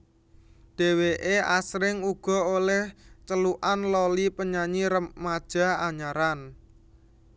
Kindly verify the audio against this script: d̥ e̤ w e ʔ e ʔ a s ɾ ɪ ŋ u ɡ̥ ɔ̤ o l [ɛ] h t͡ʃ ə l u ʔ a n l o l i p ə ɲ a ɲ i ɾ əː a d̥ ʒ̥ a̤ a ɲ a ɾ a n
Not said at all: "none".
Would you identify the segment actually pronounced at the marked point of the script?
ɛ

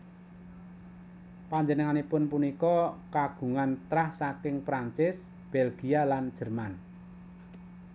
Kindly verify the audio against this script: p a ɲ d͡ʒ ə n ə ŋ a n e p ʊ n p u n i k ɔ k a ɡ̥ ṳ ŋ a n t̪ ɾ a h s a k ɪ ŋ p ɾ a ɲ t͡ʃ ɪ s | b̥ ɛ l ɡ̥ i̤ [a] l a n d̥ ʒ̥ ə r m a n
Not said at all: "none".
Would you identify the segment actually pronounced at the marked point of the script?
a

